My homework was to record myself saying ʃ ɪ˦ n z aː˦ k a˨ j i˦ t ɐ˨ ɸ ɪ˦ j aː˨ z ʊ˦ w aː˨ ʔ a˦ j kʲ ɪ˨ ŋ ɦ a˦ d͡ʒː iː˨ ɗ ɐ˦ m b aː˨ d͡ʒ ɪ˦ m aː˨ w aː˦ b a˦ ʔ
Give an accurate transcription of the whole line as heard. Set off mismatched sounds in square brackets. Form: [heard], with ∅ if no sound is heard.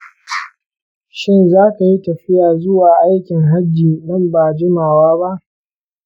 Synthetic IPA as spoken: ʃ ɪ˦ n z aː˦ k a˨ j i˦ t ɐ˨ ɸ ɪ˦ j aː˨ z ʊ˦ w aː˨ ʔ a˦ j kʲ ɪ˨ ŋ ɦ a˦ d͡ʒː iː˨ ɗ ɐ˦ m b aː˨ d͡ʒ ɪ˦ m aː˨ w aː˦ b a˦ ʔ